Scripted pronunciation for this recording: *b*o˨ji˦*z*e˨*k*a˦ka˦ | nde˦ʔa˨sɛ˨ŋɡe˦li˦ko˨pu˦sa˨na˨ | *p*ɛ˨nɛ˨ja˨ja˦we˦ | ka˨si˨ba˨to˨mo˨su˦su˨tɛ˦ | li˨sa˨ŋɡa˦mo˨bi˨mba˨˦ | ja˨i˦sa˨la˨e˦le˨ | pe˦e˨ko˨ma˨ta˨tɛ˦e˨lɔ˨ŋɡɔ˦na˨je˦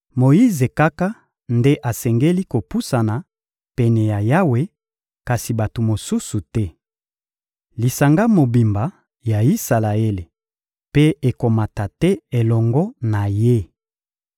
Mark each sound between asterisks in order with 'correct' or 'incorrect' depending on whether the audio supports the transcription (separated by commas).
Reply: incorrect, correct, correct, correct